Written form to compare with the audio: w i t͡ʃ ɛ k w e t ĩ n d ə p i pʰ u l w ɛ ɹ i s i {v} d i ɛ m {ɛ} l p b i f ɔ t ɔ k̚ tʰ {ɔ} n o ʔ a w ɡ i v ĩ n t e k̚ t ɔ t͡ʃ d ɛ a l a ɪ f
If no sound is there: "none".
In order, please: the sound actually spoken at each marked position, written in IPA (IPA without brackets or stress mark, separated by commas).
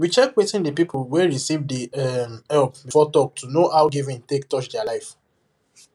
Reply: v, ɛ, u